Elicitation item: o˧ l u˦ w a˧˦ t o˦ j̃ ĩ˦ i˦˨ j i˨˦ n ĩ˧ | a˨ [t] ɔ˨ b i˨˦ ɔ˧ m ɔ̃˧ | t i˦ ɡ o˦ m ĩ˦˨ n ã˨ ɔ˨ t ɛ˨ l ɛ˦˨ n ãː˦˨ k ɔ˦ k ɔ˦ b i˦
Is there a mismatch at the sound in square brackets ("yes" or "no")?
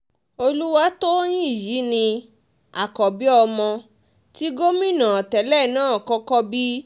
yes